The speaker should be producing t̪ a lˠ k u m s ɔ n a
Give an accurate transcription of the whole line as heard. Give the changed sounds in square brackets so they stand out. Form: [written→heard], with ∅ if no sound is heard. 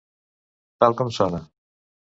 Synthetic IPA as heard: t̪ a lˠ k [u→ɔ] m s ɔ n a